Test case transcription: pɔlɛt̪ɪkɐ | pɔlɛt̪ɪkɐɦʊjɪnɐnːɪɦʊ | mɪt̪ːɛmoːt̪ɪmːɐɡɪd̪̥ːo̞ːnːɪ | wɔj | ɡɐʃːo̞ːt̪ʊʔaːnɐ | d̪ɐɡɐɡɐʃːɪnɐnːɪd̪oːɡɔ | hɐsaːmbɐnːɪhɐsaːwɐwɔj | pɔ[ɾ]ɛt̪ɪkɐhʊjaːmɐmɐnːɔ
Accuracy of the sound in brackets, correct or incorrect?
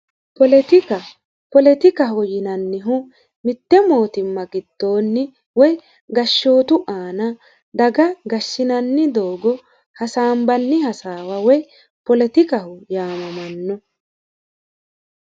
incorrect